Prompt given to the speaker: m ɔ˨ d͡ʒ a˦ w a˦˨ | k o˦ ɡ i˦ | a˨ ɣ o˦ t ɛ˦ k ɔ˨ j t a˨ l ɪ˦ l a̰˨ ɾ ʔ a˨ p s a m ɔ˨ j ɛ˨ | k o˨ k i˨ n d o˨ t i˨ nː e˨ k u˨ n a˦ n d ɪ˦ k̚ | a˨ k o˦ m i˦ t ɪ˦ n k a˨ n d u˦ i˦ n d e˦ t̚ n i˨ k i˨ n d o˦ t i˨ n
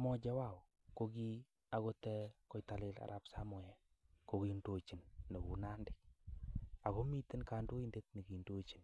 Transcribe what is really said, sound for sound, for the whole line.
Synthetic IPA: m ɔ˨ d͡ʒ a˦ w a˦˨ | k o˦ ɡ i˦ | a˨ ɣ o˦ t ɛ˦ k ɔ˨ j t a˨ l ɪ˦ l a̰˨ ɾ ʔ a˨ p s a m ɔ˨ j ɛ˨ | k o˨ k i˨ n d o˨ t͡ʃ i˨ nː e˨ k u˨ n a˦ n d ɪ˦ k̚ | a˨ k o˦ m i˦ t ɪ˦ n k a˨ n d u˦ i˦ n d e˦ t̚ n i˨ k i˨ n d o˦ t͡ʃ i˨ n